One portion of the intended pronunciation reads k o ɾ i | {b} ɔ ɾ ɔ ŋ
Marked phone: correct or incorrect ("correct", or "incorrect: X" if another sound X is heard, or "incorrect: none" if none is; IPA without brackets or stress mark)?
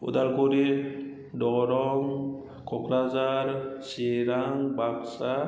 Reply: incorrect: d